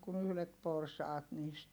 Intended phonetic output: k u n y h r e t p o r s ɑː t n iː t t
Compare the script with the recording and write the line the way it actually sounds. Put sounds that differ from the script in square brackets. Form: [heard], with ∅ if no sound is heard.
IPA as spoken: k u n y h [l] e t p o r s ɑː t n iː [s] t